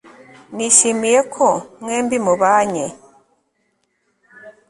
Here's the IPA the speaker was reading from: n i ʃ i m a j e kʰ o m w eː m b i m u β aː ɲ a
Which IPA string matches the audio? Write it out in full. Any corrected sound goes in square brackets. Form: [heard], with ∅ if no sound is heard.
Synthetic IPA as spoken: n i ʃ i m [i] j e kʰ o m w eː m b i m u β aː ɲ [e]